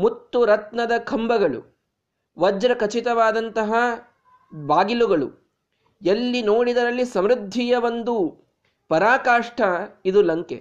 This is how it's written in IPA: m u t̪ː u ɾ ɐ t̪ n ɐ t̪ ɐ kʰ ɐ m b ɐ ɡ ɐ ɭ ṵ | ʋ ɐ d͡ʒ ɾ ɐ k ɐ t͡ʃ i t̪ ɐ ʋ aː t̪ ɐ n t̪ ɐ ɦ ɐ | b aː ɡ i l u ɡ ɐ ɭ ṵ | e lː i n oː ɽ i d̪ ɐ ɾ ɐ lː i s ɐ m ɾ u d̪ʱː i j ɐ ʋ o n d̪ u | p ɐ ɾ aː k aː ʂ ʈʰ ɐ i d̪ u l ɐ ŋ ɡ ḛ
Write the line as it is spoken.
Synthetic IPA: m u t̪ː u ɾ ɐ t̪ n ɐ d̪ ɐ kʰ ɐ m b ɐ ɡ ɐ ɭ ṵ | ʋ ɐ d͡ʒ ɾ ɐ k ɐ t͡ʃ i t̪ ɐ ʋ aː d̪ ɐ n t̪ ɐ ɦ ɐ | b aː ɡ i l u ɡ ɐ ɭ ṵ | e lː i n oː ɽ i d̪ ɐ ɾ ɐ lː i s ɐ m ɾ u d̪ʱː i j ɐ ʋ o n d̪ u | p ɐ ɾ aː k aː ʂ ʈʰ ɐ i d̪ u l ɐ ŋ k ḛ